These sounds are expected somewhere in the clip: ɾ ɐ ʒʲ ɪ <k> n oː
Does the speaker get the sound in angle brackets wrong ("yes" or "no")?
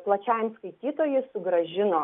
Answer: yes